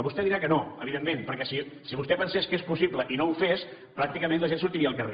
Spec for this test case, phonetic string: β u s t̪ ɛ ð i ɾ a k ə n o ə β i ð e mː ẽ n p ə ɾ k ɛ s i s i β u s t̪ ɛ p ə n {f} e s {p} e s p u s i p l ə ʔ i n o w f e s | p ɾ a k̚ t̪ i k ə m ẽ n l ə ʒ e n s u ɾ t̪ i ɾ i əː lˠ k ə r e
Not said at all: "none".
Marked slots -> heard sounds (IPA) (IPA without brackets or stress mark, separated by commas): s, k